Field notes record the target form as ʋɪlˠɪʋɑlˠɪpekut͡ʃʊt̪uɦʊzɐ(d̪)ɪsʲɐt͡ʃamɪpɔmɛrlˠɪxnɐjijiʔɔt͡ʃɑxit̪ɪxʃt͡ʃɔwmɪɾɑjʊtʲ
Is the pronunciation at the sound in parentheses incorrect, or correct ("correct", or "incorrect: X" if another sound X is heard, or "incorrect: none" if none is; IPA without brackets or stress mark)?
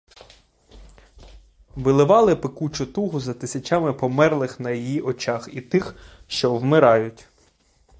incorrect: t̪